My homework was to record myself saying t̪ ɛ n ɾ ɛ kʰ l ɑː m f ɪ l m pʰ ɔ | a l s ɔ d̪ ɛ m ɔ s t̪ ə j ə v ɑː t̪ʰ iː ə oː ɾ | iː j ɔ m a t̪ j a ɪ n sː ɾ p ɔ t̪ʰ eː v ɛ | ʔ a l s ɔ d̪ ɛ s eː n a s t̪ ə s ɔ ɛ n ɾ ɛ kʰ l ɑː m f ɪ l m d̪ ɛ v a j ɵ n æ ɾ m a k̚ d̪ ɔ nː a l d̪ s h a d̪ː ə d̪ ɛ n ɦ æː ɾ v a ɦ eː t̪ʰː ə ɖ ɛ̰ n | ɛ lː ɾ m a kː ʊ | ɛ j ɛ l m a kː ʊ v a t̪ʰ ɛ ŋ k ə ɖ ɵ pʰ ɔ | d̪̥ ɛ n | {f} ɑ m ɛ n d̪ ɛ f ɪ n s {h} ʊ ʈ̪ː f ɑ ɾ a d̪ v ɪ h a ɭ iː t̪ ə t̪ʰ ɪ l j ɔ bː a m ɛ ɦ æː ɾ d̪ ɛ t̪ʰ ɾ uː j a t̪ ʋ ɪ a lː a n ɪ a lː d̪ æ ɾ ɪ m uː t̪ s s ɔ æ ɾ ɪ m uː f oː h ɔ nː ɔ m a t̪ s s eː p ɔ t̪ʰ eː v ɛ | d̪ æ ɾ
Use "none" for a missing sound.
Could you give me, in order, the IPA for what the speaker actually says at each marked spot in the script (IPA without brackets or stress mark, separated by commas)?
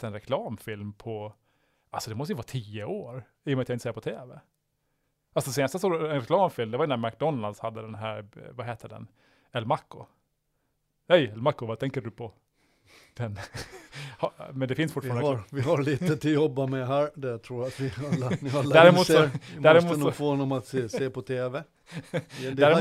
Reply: h, f